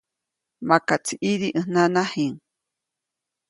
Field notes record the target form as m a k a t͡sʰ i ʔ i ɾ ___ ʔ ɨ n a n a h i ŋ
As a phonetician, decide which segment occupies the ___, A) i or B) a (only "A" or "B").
A